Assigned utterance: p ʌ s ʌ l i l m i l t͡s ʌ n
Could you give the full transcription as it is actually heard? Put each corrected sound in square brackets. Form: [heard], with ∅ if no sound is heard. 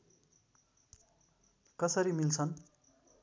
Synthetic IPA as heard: [k] ʌ s ʌ [ɾ] i [∅] m i l [t͡sʰ] ʌ n